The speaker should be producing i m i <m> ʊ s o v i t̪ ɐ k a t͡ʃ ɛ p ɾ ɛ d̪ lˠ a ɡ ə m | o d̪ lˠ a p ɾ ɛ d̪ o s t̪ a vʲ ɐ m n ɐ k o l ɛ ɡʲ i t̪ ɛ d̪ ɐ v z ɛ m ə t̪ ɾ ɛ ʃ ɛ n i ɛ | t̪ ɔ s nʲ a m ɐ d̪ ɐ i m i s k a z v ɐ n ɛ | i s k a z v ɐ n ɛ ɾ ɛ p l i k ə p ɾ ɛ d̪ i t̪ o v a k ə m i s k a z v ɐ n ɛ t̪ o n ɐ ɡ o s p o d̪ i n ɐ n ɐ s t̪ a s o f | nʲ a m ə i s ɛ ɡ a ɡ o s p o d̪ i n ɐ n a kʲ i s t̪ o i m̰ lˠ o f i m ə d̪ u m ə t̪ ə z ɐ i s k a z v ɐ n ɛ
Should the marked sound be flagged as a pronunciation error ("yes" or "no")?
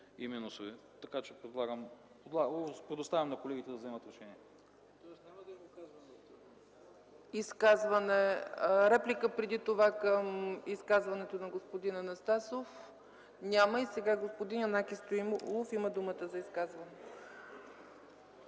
yes